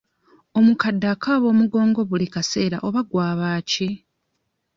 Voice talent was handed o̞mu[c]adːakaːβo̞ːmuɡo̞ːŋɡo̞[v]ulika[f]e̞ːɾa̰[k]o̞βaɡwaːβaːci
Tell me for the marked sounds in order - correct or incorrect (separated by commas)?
incorrect, incorrect, incorrect, incorrect